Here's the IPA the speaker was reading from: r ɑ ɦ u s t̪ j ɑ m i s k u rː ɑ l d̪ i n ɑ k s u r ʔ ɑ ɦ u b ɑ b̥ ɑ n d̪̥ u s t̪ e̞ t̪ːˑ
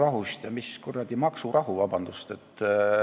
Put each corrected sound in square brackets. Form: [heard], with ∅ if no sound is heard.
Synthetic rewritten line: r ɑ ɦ u s t̪ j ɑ m i s k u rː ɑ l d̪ i [m] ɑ k s u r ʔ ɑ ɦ u [v] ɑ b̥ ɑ n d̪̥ u s t̪ e̞ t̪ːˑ

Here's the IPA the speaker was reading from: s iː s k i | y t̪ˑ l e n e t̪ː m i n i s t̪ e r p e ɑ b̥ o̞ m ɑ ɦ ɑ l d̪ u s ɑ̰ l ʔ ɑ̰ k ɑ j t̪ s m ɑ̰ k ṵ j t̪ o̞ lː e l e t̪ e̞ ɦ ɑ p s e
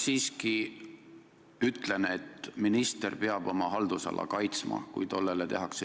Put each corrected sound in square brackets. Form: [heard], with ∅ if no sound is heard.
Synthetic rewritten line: s iː s k i | y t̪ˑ l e n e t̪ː m i n i s t̪ e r p e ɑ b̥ o̞ m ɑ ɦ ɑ l d̪ u s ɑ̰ l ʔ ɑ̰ k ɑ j t̪ s m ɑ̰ k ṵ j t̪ o̞ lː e l e t̪ e̞ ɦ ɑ [k] s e

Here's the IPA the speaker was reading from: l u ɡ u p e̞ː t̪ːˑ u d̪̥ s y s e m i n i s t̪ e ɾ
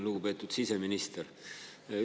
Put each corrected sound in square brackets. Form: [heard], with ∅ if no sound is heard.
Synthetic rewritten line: l u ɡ u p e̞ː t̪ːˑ u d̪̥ s [i] s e m i n i s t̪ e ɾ

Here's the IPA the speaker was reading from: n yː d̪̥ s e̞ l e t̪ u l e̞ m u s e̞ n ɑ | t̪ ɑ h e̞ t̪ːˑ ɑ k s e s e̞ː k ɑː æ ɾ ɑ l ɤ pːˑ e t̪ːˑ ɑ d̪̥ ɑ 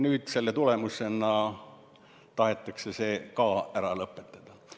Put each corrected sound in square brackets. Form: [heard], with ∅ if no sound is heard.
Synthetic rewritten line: n yː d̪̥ s e̞ [lː] e t̪ u l e̞ m u s e̞ n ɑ | t̪ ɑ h e̞ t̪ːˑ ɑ k s e s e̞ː k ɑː æ ɾ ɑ l ɤ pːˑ e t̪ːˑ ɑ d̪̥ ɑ

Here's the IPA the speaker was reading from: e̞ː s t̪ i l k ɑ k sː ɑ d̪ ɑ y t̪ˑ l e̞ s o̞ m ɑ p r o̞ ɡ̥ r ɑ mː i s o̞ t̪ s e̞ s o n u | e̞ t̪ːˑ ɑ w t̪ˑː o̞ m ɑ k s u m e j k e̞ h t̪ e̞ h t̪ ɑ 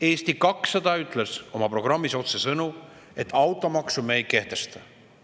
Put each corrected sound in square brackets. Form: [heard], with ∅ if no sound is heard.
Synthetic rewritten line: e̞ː s t̪ i [∅] k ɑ k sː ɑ d̪ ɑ y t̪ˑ l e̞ s o̞ m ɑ p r o̞ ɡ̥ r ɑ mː i s o̞ t̪ s e̞ s [ɤ] n u | e̞ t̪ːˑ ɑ w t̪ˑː o̞ m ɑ k s u m e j k e̞ h t̪ e̞ [s] t̪ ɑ

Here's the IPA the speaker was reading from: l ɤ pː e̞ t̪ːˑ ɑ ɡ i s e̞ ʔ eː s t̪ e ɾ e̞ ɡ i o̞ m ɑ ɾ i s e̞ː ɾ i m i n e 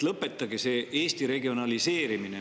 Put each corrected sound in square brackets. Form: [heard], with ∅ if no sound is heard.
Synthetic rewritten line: l ɤ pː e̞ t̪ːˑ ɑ ɡ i s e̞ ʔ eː s t̪ [i] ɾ e̞ ɡ i o̞ [n] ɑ [l] i s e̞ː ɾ i m i n e

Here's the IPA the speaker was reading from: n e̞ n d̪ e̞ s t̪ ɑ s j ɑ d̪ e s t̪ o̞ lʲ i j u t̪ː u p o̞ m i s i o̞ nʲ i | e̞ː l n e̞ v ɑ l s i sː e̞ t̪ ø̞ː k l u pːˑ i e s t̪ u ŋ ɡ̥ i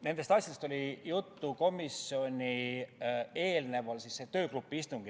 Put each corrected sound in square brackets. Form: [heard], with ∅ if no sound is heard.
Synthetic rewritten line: n e̞ n d̪ e̞ s t̪ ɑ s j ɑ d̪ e s t̪ o̞ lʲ i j u t̪ː u [k] o̞ m i s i o̞ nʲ i | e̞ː l n e̞ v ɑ l s i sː e̞ t̪ ø̞ː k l u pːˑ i [i] s t̪ u ŋ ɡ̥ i

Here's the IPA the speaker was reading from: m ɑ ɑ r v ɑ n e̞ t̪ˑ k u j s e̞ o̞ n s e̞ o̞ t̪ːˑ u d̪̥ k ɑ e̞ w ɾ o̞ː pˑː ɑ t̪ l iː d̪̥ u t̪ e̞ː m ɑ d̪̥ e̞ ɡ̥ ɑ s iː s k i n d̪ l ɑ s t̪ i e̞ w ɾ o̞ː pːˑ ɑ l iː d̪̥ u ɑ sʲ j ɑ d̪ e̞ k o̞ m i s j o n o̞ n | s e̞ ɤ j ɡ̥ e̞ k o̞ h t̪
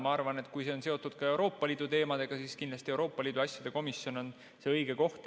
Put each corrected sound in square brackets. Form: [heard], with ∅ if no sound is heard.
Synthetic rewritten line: m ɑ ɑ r v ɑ n e̞ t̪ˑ k u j s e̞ o̞ n s e̞ o̞ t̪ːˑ u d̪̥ k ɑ e̞ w ɾ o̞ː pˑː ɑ [∅] l iː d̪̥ u t̪ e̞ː m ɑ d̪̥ e̞ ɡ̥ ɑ s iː s k i n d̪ l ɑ s t̪ i e̞ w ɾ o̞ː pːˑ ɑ l iː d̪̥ u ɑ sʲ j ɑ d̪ e̞ k o̞ m i s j o n o̞ n | s e̞ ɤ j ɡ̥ e̞ k o̞ h t̪

